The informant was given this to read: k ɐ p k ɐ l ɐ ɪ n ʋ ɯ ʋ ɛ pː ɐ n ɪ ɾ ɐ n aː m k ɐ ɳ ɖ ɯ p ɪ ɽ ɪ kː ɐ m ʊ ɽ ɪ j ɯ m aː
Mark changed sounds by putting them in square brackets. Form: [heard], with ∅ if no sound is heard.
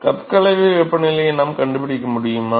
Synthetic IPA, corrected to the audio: k ɐ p k ɐ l ɐ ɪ [∅] ʋ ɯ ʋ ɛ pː ɐ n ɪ [l] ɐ n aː m k ɐ ɳ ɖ ɯ p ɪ ɽ ɪ kː ɐ m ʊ ɽ ɪ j ɯ m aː